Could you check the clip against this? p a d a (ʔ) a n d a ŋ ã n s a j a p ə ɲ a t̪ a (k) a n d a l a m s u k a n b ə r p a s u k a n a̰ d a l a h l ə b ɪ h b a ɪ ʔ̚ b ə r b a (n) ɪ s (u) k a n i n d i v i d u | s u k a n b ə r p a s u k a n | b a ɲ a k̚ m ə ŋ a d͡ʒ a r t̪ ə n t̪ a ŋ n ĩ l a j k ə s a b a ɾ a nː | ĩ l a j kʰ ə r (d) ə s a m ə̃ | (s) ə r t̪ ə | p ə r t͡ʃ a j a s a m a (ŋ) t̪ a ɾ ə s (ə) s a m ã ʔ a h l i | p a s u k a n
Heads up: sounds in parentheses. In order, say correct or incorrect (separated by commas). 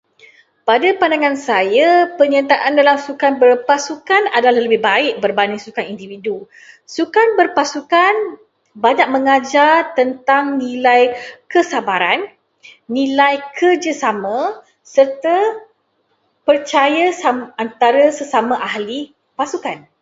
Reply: incorrect, incorrect, correct, correct, incorrect, correct, incorrect, correct